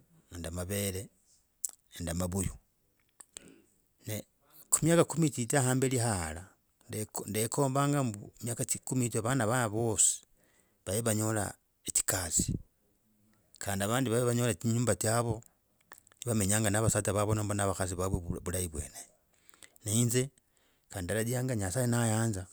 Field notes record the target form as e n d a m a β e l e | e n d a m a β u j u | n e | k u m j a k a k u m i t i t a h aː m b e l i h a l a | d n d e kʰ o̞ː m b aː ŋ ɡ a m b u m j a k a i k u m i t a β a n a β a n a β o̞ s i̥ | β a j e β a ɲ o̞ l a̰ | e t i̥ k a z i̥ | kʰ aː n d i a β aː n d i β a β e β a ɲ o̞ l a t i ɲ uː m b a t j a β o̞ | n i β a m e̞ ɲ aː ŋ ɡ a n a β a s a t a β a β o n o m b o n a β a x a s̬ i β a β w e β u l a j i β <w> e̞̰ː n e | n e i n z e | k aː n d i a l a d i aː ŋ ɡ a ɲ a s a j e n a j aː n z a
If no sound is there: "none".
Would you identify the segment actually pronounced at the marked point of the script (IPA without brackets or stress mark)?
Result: w